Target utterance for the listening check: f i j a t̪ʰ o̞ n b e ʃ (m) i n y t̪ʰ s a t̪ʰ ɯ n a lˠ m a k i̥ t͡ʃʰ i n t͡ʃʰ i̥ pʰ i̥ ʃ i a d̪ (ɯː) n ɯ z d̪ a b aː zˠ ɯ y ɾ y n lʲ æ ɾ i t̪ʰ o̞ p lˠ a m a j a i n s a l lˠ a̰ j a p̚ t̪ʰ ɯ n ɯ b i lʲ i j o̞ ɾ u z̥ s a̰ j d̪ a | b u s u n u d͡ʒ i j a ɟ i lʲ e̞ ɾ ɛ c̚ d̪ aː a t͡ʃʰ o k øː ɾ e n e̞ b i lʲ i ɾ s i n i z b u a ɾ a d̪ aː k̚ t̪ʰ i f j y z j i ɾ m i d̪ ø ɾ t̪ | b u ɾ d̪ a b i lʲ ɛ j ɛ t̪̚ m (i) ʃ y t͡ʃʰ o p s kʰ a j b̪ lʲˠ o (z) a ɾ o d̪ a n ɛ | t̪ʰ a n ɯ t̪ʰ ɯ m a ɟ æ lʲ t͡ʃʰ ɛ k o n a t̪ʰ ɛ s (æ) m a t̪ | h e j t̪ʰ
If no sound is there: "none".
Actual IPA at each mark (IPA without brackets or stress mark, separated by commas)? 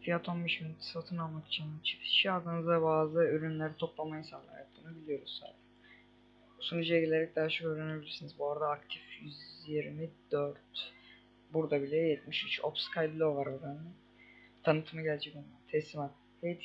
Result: m, ɯ, i, v, i